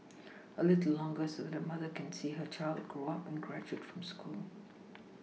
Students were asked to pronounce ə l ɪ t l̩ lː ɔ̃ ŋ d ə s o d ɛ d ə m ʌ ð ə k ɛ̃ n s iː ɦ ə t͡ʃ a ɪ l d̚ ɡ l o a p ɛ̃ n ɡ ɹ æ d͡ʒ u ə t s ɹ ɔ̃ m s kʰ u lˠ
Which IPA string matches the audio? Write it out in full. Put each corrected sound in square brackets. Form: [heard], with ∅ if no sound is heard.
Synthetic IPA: ə l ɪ t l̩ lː ɔ̃ ŋ [ɡ] ə s o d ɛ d ə m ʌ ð ə k ɛ̃ n s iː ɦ ə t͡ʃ a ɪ l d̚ ɡ [ɹ] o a p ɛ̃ n ɡ ɹ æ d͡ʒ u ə t [f] ɹ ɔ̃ m s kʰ u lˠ